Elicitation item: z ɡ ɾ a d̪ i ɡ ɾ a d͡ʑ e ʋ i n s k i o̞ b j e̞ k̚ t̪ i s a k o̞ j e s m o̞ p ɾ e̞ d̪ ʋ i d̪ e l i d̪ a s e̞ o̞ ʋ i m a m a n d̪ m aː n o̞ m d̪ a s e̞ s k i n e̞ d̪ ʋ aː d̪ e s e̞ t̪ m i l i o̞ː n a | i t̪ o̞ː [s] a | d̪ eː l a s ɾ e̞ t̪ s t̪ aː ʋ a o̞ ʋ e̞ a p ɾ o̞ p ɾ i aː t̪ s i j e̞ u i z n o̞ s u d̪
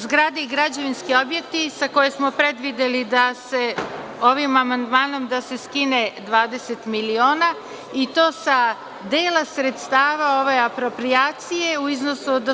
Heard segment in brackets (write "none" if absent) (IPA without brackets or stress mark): s